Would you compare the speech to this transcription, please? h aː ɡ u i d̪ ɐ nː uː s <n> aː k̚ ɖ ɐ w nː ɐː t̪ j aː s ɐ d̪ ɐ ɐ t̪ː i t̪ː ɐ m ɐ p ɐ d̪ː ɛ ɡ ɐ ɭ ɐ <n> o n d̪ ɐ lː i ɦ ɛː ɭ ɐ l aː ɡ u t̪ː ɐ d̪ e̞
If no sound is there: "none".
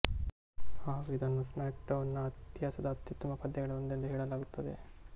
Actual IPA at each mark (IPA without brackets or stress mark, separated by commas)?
m, none